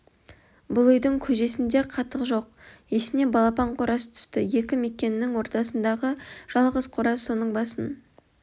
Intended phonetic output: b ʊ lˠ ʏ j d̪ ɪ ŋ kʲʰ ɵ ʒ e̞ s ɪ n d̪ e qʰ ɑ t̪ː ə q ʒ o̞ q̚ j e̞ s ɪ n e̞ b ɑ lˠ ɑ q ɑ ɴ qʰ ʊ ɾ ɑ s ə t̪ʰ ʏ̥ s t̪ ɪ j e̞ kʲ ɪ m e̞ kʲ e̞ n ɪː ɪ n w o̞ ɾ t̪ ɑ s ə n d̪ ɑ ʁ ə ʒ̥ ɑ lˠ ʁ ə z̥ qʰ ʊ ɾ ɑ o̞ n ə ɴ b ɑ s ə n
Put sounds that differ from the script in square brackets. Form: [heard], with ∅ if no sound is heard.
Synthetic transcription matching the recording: b ʊ lˠ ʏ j d̪ ɪ ŋ kʲʰ ɵ ʒ e̞ s ɪ n d̪ e qʰ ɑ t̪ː ə q ʒ o̞ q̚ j e̞ s ɪ n e̞ b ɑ lˠ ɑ [p] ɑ ɴ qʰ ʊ ɾ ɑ s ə t̪ʰ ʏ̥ s t̪ ɪ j e̞ kʲ ɪ m e̞ kʲ e̞ n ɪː ɪ [ŋ] w o̞ ɾ t̪ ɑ s ə n d̪ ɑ ʁ ə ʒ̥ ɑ lˠ ʁ ə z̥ qʰ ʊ ɾ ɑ o̞ n ə ɴ b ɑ s ə n